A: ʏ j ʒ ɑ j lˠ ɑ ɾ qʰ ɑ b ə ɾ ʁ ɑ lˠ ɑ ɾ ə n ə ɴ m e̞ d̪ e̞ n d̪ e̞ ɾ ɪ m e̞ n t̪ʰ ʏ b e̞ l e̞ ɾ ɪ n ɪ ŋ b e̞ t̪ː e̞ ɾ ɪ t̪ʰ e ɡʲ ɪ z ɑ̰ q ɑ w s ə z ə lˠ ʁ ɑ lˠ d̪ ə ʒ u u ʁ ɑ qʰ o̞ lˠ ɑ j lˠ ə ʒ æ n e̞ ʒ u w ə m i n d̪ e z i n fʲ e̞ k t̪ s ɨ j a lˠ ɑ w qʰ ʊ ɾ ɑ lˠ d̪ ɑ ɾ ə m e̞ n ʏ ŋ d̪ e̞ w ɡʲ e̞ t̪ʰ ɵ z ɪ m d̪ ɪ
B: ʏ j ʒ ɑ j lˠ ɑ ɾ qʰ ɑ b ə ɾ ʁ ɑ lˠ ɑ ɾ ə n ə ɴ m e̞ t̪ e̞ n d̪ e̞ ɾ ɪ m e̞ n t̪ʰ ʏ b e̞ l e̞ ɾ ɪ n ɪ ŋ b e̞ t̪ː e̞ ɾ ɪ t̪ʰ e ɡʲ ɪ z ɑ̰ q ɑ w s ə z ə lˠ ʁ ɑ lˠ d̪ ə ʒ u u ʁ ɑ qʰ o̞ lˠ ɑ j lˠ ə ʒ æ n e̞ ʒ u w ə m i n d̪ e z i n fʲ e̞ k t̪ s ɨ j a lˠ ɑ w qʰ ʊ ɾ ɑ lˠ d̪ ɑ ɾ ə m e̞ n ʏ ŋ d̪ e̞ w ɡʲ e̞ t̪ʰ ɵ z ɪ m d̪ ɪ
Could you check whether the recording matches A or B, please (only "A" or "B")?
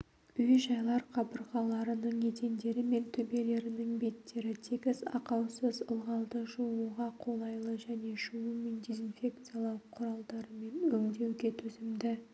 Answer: B